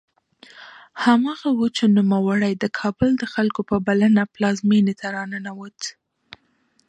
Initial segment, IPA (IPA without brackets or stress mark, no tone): h